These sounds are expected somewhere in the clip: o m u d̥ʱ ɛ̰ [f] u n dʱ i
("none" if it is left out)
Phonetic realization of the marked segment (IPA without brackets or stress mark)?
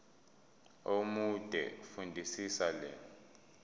f